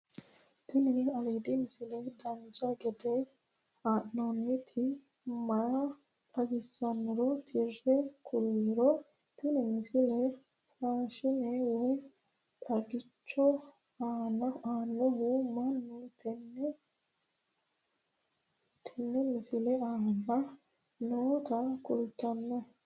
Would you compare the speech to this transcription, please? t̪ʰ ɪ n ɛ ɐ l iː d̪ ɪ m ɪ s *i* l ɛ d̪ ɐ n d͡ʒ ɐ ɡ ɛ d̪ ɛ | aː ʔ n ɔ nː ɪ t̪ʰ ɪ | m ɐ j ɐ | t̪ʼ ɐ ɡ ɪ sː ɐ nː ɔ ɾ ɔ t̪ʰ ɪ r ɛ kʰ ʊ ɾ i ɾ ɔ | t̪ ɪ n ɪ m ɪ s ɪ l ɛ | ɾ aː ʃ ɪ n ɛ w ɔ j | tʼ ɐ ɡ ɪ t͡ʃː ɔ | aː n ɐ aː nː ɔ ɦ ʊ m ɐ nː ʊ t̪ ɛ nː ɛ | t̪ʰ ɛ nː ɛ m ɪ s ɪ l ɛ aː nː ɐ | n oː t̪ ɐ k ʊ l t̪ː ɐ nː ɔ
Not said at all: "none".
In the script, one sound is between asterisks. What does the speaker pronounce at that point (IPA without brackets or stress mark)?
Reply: ɪ